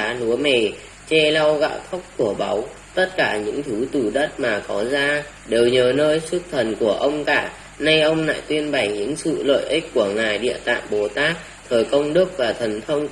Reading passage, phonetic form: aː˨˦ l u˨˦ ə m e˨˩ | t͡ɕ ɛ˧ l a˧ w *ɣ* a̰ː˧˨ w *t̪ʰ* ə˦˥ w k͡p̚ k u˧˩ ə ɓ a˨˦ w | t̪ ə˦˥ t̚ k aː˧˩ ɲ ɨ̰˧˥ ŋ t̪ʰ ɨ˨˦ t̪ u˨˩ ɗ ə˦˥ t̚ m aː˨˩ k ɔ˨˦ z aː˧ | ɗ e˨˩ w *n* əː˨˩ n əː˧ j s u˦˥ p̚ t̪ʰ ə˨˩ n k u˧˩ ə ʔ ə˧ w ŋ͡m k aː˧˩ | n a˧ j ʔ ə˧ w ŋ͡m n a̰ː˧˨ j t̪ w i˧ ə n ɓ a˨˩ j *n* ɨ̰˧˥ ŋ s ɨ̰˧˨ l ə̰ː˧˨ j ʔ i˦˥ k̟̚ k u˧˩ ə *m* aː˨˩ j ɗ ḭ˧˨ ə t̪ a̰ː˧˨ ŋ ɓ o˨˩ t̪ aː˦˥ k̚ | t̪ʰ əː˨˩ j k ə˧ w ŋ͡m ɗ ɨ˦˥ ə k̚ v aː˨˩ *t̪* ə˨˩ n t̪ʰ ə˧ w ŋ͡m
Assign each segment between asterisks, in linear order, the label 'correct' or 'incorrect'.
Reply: correct, correct, incorrect: ɲ, incorrect: ɲ, incorrect: ŋ, incorrect: t̪ʰ

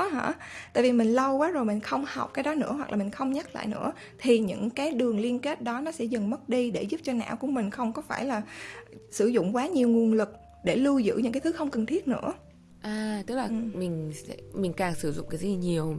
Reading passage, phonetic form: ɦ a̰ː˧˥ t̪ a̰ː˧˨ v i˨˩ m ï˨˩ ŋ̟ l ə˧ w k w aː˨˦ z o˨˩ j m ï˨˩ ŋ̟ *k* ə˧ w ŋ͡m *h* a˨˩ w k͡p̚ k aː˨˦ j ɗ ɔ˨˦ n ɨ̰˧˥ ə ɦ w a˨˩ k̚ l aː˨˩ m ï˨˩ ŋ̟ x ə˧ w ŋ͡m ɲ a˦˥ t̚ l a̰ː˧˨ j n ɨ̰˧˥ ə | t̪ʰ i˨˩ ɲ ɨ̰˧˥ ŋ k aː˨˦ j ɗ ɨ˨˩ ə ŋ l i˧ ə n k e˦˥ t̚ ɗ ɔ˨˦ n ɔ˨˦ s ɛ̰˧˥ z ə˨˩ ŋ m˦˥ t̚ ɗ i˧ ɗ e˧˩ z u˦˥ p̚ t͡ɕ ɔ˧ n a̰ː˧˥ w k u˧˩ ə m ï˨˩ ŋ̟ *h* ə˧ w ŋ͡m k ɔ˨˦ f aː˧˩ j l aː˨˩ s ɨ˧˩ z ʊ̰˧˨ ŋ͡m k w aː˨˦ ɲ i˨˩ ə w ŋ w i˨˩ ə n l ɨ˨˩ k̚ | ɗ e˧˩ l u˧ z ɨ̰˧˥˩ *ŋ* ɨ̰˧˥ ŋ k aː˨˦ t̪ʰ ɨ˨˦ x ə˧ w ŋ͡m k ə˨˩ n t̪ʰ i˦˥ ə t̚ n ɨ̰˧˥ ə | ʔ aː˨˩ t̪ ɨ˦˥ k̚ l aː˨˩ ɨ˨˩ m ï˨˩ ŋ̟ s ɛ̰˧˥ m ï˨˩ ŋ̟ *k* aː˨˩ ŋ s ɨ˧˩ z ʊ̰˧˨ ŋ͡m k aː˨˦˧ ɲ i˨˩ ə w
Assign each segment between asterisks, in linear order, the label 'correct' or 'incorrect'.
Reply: incorrect: x, correct, incorrect: x, incorrect: ɲ, correct

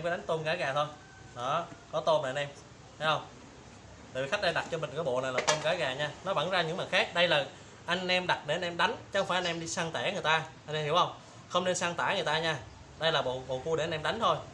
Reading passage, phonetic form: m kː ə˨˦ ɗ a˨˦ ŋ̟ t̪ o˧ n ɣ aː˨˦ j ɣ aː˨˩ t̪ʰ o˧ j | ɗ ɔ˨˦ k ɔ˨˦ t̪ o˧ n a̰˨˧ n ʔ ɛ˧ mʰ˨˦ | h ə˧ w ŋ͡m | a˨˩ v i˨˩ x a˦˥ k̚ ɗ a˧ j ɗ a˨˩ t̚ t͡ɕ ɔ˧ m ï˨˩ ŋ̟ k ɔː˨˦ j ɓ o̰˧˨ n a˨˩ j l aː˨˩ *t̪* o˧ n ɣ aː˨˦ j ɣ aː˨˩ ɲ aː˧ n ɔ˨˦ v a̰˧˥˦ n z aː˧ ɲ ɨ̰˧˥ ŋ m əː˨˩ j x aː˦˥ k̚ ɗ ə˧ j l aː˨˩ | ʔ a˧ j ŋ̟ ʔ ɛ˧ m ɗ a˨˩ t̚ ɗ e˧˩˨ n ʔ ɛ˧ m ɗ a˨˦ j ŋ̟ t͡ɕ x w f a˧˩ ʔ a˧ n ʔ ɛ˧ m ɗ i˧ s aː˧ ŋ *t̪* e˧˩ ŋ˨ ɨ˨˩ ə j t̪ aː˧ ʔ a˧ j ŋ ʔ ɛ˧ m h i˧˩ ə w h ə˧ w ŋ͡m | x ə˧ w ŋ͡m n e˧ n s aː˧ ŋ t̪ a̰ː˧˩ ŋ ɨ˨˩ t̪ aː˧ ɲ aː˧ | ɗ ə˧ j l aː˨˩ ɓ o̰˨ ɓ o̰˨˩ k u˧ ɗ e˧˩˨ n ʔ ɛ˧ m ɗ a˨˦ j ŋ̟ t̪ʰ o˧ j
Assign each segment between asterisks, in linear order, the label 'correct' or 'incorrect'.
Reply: correct, correct

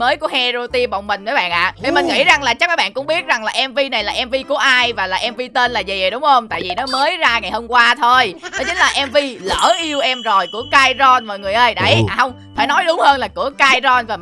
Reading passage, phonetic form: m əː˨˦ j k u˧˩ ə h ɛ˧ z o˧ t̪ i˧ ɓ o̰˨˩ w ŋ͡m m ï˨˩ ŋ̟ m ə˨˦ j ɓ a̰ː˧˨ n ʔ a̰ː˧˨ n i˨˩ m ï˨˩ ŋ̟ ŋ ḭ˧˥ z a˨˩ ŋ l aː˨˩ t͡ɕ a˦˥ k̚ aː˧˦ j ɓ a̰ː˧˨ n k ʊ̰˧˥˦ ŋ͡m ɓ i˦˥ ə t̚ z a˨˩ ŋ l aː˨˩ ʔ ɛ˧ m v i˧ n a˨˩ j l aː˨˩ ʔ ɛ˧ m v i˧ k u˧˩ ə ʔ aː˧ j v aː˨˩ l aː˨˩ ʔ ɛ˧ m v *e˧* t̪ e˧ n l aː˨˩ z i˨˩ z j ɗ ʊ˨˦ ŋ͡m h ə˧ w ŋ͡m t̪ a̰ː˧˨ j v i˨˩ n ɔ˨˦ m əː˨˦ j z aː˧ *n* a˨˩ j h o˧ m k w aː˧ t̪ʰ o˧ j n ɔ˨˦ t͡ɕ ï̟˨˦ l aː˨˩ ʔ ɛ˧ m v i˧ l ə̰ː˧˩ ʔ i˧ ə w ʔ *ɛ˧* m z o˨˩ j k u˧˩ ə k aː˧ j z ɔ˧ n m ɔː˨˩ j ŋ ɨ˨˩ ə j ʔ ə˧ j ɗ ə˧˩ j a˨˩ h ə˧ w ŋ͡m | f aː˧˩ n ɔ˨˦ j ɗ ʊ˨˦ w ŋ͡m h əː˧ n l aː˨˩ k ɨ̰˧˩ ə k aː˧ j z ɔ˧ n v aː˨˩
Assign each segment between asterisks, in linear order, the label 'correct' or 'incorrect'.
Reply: incorrect: i˧, incorrect: ŋ, correct

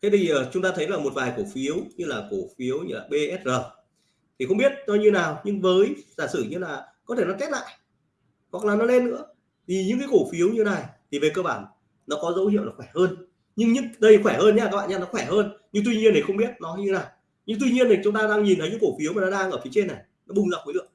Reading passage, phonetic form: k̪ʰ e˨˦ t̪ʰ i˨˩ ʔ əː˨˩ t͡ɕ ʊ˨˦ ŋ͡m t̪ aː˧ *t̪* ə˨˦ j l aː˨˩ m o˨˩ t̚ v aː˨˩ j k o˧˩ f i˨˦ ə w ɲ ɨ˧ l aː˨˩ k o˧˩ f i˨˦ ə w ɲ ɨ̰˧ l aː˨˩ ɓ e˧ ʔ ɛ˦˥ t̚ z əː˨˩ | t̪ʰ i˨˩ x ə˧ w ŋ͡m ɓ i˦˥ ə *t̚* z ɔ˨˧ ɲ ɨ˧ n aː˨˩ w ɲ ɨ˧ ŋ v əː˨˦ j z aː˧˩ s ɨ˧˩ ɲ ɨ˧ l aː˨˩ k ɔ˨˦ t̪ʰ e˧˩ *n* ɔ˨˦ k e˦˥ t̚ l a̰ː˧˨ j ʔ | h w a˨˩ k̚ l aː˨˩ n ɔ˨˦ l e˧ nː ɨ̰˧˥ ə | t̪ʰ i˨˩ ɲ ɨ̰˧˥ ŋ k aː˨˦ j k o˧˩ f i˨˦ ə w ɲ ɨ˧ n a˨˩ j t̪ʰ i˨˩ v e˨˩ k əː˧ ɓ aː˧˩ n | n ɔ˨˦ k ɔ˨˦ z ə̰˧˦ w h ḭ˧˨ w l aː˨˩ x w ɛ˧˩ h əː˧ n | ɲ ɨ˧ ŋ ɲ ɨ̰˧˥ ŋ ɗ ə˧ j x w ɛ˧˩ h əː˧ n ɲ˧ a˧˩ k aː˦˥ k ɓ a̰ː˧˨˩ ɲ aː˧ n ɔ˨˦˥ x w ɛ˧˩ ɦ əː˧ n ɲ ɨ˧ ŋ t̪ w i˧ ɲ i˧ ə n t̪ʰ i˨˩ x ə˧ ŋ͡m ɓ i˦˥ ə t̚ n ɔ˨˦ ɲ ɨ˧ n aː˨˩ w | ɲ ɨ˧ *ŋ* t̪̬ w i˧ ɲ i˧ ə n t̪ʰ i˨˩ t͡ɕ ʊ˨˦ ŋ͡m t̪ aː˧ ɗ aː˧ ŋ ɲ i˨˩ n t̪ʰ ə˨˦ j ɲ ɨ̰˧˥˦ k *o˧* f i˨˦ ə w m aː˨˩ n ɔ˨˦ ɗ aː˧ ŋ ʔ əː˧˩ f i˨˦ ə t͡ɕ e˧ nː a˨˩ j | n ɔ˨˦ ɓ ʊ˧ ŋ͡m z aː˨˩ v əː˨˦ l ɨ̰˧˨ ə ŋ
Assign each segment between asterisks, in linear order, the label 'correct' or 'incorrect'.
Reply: incorrect: t̪ʰ, correct, correct, correct, incorrect: o˧˩

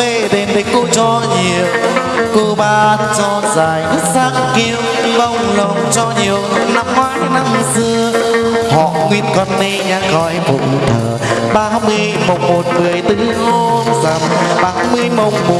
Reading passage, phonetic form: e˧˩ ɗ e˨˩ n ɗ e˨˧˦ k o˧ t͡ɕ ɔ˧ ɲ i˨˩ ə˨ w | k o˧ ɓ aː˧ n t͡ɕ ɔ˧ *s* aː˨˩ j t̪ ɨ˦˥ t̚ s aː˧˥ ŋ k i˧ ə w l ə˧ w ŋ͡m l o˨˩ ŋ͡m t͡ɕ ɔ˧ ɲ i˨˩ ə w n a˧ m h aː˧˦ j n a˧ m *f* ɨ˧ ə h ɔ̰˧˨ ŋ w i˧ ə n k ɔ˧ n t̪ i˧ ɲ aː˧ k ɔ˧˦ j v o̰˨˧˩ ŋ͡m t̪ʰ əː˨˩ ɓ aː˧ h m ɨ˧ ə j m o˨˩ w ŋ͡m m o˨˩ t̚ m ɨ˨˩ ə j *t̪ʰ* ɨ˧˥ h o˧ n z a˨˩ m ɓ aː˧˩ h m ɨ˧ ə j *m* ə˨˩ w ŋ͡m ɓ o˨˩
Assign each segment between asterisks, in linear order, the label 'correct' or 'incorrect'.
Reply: incorrect: z, incorrect: s, incorrect: t̪, correct

